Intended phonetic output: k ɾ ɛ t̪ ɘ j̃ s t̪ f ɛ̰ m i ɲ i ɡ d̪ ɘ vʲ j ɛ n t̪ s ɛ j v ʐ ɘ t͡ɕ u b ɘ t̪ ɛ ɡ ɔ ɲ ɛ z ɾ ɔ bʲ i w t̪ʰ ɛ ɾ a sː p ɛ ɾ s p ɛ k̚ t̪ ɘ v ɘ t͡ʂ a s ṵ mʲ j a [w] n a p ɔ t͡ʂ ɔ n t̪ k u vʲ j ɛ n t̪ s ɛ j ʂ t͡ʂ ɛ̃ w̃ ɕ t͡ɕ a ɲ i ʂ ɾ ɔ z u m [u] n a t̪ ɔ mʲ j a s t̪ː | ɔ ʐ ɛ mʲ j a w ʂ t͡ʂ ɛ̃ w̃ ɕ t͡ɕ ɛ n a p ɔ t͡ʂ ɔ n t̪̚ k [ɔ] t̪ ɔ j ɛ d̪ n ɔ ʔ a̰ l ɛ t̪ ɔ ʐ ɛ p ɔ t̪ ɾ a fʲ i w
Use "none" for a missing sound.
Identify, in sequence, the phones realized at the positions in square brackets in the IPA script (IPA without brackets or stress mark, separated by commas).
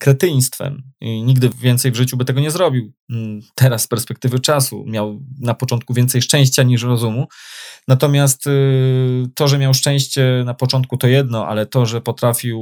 w, u, u